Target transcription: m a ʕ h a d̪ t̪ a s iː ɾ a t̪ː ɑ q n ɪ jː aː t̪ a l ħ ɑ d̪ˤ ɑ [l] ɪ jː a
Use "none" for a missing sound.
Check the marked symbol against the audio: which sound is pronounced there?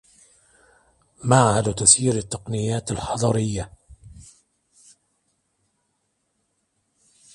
ɾ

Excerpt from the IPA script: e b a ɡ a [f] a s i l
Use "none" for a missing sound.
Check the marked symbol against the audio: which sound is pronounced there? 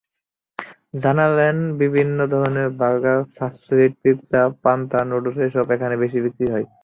f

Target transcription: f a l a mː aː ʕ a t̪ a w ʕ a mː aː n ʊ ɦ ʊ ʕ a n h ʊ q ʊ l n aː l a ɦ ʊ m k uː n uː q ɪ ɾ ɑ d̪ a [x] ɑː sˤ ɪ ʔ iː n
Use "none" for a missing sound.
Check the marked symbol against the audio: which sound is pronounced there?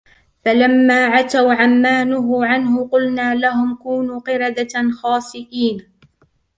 x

